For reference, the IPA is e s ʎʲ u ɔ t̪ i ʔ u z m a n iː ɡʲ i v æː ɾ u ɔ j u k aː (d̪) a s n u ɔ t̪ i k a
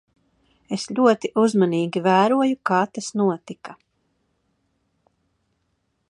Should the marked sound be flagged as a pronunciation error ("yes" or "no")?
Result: yes